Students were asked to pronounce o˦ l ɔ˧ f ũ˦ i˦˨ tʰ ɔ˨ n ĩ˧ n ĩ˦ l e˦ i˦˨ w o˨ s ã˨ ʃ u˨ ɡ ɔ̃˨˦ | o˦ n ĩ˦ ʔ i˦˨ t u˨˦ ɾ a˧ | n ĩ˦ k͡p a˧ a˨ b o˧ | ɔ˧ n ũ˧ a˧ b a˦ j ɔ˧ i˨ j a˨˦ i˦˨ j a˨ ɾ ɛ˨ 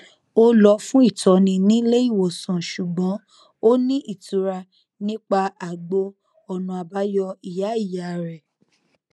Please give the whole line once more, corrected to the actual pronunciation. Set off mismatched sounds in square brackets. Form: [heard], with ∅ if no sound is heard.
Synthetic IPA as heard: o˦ l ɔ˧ f ũ˦ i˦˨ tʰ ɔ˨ n ĩ˧ n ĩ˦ l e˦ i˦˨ w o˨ s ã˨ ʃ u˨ [ɡ͡b] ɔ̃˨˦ | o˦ n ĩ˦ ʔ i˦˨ t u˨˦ ɾ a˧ | n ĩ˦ k͡p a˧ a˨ [ɡ͡b] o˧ | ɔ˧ n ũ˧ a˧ b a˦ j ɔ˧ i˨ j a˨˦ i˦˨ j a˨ ɾ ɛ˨